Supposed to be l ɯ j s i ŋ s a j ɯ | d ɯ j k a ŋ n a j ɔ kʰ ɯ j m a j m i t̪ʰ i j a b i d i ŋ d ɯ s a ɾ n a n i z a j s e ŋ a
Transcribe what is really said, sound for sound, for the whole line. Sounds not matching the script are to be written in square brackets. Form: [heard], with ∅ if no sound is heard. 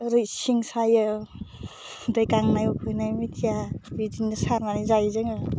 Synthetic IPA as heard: [ɾ] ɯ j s i ŋ s a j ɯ | d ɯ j k a ŋ n a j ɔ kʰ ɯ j [n] a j m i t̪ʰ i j a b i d i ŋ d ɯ s a ɾ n a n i z a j [z] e ŋ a